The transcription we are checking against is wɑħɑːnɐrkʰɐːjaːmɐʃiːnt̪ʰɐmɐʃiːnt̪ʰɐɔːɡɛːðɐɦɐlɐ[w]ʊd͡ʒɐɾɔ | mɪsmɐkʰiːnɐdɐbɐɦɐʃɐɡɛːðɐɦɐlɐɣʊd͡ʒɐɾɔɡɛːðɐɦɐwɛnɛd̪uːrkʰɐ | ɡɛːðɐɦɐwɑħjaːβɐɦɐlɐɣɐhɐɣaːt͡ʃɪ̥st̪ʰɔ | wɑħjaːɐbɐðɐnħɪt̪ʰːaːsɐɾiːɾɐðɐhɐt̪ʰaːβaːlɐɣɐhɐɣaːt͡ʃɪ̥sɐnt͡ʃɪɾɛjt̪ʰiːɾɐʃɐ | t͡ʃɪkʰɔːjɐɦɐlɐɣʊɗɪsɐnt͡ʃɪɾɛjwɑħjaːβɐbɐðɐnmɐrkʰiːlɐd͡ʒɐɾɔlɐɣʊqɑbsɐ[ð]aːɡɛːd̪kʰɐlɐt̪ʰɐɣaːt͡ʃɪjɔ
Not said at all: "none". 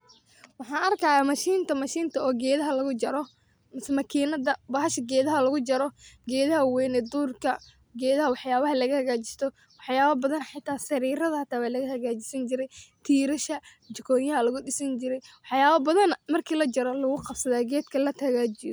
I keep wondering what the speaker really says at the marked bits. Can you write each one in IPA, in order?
ɣ, ð

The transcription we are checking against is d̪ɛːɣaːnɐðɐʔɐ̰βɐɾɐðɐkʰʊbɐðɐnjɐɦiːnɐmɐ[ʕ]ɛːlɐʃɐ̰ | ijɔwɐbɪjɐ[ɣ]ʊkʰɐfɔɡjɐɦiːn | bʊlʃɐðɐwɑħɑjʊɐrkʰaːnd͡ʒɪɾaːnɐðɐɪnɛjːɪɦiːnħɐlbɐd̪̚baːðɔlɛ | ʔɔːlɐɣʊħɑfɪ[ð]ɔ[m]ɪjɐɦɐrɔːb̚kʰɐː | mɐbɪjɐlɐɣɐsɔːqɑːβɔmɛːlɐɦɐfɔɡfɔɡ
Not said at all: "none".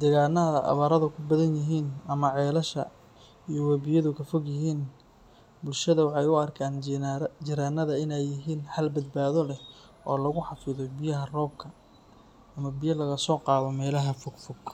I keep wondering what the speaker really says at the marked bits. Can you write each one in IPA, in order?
ʕ, ð, ð, b

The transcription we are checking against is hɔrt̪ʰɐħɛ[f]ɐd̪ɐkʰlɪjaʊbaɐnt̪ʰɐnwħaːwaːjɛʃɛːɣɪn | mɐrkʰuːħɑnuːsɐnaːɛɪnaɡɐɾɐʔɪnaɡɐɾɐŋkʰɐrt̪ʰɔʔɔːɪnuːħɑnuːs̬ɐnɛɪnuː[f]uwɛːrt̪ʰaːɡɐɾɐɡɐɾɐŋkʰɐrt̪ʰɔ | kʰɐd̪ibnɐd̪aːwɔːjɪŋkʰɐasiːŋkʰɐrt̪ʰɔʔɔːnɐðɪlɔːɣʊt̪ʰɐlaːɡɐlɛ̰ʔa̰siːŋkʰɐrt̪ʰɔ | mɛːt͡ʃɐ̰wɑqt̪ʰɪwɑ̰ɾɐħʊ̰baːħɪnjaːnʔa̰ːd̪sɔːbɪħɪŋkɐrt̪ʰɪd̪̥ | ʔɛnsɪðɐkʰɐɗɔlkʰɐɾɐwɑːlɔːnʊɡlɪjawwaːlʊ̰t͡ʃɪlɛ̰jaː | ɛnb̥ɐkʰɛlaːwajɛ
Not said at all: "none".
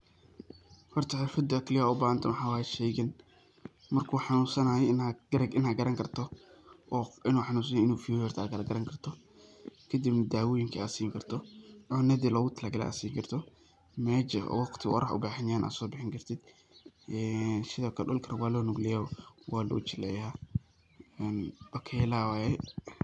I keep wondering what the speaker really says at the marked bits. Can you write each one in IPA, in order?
f, f

